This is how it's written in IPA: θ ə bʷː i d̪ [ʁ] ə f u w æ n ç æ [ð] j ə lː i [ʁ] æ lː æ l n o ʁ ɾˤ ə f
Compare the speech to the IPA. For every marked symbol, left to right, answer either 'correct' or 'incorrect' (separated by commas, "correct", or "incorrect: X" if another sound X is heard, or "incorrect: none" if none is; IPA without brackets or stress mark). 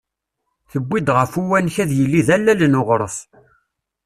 correct, correct, incorrect: ð